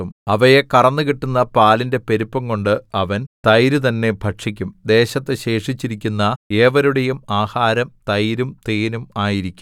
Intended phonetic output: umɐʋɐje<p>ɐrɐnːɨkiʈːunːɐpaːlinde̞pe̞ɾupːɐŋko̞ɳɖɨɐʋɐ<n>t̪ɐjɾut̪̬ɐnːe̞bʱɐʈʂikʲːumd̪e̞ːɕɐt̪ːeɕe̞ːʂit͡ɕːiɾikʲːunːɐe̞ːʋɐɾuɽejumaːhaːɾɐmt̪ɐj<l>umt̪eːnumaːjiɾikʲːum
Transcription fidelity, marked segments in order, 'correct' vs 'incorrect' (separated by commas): incorrect, correct, incorrect